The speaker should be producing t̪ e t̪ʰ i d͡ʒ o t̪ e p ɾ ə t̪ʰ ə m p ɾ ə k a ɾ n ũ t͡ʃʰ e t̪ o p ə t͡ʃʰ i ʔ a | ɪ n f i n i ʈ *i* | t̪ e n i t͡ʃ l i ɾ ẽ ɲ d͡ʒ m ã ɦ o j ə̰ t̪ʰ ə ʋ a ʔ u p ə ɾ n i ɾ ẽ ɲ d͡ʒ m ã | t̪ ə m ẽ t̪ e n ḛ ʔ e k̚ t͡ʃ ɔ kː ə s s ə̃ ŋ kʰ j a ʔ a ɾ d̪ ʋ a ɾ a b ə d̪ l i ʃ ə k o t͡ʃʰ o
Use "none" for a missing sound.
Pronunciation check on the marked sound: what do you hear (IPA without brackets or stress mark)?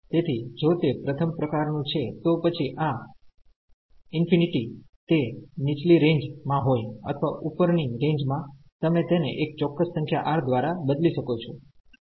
i